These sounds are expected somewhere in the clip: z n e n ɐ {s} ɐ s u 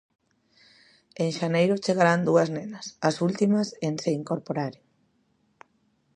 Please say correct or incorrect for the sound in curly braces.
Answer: correct